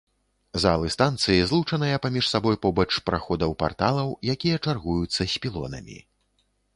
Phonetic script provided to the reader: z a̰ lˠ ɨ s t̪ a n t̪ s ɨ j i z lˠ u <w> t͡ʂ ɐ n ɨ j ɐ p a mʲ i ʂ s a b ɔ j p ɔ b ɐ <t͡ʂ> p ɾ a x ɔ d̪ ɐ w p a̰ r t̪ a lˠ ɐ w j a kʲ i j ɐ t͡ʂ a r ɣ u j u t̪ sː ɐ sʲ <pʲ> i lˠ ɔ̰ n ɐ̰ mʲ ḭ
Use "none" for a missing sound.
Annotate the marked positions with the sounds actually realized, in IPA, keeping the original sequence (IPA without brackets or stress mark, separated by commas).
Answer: none, t͡ʂ, pʲ